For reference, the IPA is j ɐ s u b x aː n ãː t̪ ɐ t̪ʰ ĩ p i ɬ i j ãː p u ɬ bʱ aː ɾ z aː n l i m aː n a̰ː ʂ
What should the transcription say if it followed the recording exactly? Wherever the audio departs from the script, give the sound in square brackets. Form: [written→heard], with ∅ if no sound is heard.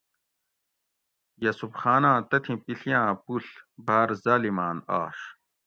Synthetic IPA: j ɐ s u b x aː n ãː t̪ ɐ t̪ʰ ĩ p i ɬ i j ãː p u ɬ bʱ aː ɾ z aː [n→∅] l i m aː n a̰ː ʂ